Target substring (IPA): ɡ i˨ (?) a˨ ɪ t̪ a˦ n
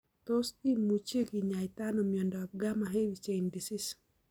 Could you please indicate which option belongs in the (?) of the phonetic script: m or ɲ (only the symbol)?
ɲ